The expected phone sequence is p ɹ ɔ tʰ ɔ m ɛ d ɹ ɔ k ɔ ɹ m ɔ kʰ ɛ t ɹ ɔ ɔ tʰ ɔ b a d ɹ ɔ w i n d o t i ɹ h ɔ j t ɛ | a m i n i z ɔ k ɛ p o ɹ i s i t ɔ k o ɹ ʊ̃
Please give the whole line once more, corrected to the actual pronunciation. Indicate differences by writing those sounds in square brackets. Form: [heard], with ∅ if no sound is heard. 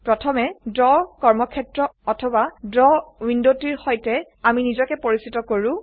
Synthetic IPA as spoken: p ɹ ɔ tʰ ɔ m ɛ d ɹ ɔ k ɔ ɹ m ɔ kʰ ɛ t ɹ ɔ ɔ tʰ ɔ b a d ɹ ɔ w i n d o t i ɹ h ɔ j t ɛ | a m i n i z ɔ k ɛ p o ɹ i s i t ɔ k o ɹ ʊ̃